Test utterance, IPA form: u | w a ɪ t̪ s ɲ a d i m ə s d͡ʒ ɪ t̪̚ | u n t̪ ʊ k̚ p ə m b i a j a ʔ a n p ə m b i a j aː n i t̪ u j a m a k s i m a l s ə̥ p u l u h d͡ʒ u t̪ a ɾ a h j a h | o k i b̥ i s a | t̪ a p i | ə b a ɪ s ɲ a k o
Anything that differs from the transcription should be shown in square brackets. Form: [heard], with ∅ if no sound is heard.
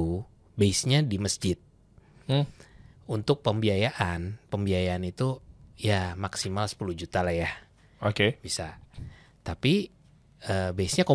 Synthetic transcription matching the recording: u | [b] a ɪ [∅] s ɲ a d i m ə s d͡ʒ ɪ t̪̚ | u n t̪ ʊ k̚ p ə m b i a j a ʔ a n p ə m b i a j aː n i t̪ u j a m a k s i m a l s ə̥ p u l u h d͡ʒ u t̪ a [l] a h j a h | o k [e] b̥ i s a | t̪ a p i | ə b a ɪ s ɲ a k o